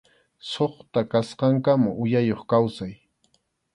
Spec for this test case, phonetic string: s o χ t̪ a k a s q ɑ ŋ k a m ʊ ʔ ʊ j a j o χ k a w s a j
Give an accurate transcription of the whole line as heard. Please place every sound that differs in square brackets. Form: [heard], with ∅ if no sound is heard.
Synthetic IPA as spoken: s o χ t̪ a k a s q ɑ ŋ k a m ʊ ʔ ʊ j a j o χ k a w s a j